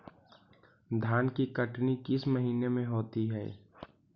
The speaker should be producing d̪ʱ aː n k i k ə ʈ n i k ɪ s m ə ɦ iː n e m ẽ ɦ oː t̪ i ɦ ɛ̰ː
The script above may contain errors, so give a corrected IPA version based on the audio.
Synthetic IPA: d̪ʱ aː n k i k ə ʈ n i k ɪ s m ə ɦ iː n e m ẽ ɦ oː t̪ i ɦ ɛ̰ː

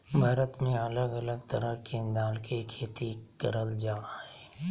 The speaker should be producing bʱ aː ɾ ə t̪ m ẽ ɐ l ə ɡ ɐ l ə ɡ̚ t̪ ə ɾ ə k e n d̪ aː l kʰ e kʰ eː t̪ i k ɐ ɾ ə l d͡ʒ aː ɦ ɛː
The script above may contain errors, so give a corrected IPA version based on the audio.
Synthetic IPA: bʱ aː ɾ ə t̪ m ẽ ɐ l ə ɡ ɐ l ə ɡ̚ t̪ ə ɾ ə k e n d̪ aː l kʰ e kʰ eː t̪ i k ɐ ɾ ə l d͡ʒ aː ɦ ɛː

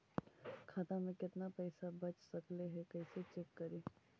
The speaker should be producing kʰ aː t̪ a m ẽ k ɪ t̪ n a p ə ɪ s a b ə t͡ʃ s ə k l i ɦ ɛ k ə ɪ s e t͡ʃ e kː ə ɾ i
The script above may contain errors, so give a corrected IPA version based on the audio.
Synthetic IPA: kʰ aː t̪ a m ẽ k ɪ t̪ n a p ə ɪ s a b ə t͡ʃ s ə k l e ɦ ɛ k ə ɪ s e t͡ʃ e kː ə ɾ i

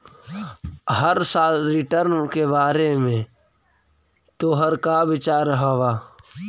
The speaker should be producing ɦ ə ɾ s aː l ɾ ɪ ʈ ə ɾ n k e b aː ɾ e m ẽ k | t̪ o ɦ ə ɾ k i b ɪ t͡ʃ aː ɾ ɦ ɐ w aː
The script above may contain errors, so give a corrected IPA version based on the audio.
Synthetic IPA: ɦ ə ɾ s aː l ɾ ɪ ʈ ə ɾ n k e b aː ɾ e m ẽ | t̪ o ɦ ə ɾ k a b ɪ t͡ʃ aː ɾ ɦ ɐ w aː

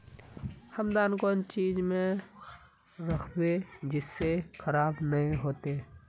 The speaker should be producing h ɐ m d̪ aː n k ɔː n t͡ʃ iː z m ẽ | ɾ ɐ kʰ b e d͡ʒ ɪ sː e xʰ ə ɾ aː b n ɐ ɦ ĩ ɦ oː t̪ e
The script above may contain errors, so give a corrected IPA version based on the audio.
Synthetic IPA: h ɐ m d̪ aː n k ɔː n t͡ʃ iː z m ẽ | ɾ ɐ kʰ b e d͡ʒ ɪ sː e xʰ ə ɾ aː b n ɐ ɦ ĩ ɦ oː t̪ e

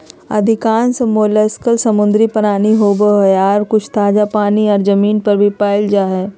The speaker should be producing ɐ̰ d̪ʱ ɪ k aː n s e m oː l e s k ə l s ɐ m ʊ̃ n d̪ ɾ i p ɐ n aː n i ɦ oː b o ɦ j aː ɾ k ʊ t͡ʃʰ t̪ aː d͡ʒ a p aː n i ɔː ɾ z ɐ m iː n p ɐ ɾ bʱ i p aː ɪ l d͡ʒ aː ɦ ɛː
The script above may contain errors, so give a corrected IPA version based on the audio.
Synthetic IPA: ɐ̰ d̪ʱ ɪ k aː n s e m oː l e s k ə l s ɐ m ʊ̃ n d̪ ɾ i p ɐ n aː n i ɦ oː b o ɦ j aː ɾ k ʊ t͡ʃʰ t̪ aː d͡ʒ a p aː n i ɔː ɾ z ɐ m iː n p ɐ ɾ bʱ i p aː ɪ l d͡ʒ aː ɦ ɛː

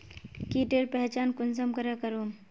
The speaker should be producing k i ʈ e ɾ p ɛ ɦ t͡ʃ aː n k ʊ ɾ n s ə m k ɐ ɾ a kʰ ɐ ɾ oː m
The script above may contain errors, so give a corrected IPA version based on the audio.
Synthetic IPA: k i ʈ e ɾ p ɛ ɦ t͡ʃ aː n k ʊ n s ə m k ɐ ɾ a k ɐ ɾ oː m

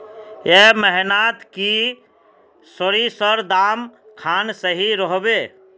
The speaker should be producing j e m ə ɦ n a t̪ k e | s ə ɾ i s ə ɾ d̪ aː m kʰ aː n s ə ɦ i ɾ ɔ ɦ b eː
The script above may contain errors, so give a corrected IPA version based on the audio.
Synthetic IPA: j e m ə ɦ n a t̪ k i | s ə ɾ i s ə ɾ d̪ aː m kʰ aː n s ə ɦ i ɾ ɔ ɦ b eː

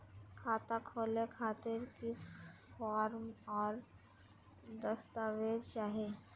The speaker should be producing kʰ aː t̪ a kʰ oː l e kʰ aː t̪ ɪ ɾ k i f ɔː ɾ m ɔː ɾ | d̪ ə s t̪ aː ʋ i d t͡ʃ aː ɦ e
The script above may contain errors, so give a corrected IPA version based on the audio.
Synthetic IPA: kʰ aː t̪ a kʰ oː l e kʰ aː t̪ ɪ ɾ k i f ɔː ɾ m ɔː ɾ | d̪ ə s t̪ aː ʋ e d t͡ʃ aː ɦ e

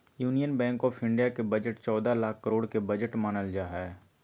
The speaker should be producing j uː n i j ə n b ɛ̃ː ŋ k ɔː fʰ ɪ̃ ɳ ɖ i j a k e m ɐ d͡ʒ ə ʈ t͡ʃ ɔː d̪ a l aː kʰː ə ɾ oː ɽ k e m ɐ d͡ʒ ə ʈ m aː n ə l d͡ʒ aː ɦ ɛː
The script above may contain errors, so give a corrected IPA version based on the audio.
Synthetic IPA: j uː n i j ə n b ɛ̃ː ŋ k ɔː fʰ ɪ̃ ɳ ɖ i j a k e b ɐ d͡ʒ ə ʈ t͡ʃ ɔː d̪ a l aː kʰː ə ɾ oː ɽ k e b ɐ d͡ʒ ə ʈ m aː n ə l d͡ʒ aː ɦ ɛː

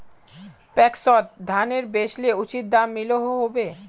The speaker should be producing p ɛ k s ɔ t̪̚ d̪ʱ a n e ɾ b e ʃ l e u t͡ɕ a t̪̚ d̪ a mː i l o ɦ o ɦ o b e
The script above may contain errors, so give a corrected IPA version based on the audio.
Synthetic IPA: p ɛ k s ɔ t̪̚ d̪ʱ a n e ɾ b e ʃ l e u t͡ɕ i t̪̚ d̪ a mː i l o ɦ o ɦ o b e

